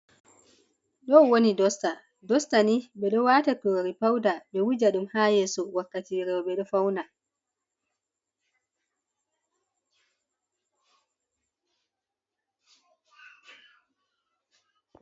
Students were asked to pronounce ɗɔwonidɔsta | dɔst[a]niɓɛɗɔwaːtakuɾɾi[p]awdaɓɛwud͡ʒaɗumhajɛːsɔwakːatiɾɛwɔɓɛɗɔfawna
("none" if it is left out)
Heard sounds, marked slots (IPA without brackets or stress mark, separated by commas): a, p